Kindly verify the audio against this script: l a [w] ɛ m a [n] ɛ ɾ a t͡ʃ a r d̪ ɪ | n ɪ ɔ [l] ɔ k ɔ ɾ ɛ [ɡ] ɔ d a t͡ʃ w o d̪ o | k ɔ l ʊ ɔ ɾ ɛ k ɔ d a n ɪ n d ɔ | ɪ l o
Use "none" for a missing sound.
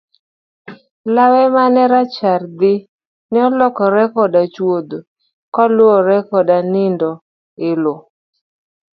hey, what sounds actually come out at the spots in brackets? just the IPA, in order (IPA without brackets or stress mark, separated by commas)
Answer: w, n, l, k